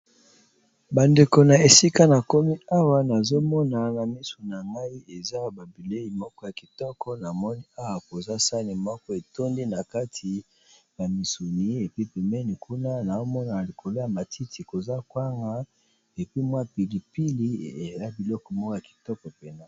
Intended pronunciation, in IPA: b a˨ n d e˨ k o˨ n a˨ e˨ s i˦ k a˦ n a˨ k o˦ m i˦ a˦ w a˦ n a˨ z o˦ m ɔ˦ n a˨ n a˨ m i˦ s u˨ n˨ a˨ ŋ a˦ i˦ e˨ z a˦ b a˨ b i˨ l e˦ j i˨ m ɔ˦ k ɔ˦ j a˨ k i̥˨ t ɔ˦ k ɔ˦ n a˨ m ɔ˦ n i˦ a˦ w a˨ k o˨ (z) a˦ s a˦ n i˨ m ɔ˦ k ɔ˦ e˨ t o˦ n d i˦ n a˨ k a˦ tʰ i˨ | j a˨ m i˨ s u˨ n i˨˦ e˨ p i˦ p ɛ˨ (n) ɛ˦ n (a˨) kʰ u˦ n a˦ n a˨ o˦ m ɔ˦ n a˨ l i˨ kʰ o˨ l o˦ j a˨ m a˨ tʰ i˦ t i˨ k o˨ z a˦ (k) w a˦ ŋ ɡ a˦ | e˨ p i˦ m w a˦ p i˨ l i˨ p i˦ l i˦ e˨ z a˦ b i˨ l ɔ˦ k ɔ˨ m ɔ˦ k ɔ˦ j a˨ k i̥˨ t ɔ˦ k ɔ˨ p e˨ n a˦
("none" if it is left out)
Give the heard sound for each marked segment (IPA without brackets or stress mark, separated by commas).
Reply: z, m, i˨, k